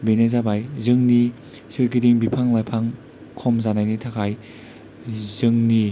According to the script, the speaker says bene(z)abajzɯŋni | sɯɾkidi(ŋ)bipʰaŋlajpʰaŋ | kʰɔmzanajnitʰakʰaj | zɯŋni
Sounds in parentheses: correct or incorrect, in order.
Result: correct, correct

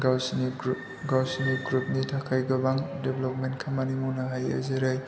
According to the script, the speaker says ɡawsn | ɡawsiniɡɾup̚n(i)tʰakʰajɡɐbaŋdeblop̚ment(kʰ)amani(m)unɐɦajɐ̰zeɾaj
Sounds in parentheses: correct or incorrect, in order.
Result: correct, correct, correct

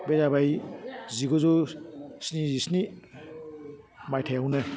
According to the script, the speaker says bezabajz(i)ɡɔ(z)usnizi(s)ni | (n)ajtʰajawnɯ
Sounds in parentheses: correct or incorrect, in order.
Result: correct, correct, correct, incorrect: m

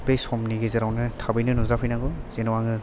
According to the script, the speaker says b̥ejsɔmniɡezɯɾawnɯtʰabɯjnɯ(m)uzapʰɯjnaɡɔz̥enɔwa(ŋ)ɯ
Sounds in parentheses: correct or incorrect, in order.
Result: incorrect: n, correct

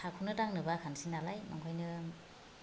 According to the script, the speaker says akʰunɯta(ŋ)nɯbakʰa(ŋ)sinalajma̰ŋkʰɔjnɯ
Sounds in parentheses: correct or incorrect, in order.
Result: correct, incorrect: n

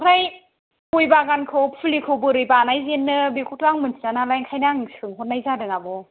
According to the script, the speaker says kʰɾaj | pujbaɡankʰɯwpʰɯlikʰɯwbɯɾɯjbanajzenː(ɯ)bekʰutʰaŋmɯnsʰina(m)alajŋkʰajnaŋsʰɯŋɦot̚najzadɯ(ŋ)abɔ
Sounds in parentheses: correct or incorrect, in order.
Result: correct, incorrect: n, correct

